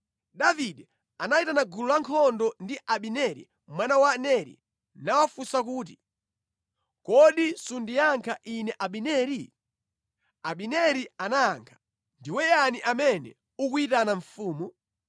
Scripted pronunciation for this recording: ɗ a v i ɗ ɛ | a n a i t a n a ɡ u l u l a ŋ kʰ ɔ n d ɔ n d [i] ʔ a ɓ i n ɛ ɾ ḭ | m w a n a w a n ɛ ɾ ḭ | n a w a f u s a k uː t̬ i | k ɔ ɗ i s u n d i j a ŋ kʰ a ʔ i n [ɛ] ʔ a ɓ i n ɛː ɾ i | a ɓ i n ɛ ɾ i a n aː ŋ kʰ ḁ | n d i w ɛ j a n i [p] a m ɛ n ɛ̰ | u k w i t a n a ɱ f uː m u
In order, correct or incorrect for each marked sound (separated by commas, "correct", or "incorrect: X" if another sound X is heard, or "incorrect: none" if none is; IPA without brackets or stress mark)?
correct, correct, incorrect: ʔ